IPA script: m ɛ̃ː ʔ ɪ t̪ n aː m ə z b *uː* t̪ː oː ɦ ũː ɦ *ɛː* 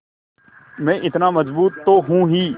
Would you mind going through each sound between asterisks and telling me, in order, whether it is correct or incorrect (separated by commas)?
correct, incorrect